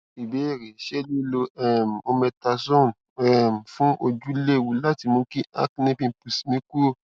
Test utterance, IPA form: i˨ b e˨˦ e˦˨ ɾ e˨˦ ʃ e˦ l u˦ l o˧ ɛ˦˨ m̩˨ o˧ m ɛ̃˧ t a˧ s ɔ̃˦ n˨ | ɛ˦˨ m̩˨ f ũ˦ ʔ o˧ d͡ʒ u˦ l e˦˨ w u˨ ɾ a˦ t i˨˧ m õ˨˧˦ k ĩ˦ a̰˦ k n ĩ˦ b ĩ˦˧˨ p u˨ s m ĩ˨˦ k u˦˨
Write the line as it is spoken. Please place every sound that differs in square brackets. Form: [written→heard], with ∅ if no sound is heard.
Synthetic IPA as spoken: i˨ b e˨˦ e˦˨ ɾ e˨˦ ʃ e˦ l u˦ l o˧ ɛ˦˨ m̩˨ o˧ m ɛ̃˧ t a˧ s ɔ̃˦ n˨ | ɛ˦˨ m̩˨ f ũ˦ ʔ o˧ d͡ʒ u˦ l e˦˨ w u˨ [ɾ→l] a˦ t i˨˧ m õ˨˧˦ k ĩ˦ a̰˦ k n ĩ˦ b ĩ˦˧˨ p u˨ s m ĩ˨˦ k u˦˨